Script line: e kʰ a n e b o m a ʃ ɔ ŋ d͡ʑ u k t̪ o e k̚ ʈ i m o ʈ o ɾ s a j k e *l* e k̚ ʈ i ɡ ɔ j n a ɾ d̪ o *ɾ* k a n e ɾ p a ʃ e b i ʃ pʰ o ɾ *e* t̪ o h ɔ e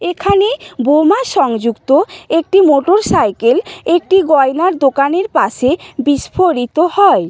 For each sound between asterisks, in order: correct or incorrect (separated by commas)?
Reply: correct, incorrect, incorrect